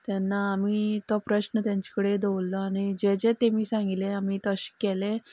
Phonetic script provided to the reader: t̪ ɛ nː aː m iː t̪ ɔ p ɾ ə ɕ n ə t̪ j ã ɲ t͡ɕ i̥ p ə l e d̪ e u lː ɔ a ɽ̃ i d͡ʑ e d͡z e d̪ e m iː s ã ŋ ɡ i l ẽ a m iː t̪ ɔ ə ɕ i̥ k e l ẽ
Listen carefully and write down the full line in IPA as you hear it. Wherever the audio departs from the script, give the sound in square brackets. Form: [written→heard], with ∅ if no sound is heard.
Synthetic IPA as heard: t̪ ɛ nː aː m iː t̪ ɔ p ɾ ə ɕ n ə t̪ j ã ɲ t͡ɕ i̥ [p→k] ə [l→ɽ] e d̪ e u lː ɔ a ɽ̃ i d͡ʑ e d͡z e [d̪→t̪] e m iː s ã ŋ ɡ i l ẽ a m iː t̪ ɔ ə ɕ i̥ k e l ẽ